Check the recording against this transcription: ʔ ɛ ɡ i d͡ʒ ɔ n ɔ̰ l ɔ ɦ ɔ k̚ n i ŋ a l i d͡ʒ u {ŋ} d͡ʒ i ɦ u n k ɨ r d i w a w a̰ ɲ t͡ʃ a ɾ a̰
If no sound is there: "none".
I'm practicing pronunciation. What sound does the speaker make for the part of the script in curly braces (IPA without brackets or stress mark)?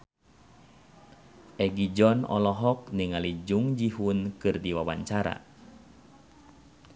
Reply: ŋ